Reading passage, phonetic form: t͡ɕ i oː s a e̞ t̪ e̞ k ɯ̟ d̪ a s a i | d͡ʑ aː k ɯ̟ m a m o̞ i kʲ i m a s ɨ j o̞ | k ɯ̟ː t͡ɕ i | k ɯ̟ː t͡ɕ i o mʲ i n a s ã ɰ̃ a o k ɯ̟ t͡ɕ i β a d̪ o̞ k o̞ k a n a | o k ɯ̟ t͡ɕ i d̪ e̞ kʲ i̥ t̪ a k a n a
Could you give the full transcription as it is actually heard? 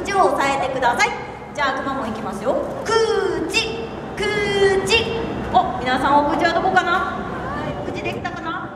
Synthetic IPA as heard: t͡ɕ i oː s a e̞ t̪ e̞ k ɯ̟ d̪ a s a i | d͡ʑ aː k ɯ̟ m a m o̞ i kʲ i m a s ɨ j o̞ | k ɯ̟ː t͡ɕ i | k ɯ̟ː t͡ɕ i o mʲ i n a s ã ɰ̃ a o k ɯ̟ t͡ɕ i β a d̪ o̞ k o̞ k a n a | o k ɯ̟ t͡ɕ i d̪ e̞ kʲ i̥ t̪ a k a n a